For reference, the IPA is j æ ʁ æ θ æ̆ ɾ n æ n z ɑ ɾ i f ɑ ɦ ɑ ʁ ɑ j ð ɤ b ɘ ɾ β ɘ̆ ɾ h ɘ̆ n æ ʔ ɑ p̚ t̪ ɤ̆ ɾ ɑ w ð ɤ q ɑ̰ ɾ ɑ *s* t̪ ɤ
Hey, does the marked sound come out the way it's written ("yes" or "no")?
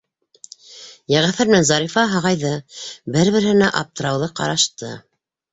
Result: no